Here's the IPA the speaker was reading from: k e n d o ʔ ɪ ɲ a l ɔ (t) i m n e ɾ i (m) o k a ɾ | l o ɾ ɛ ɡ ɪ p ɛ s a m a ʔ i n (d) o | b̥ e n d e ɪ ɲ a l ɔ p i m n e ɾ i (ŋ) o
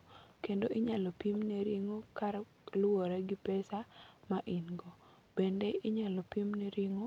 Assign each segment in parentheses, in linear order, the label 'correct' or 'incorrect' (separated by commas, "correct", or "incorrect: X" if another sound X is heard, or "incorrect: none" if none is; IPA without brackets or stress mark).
incorrect: p, incorrect: ŋ, incorrect: ɡ, correct